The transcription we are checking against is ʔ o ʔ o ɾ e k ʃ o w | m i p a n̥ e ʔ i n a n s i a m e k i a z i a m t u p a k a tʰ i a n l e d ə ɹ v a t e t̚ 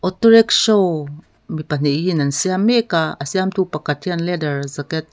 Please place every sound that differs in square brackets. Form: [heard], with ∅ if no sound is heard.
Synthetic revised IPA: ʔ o [t] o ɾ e k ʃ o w | m i p a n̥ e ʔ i n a n s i a m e k [a] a [s] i a m t u p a k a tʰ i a n l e d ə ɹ [z] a [k] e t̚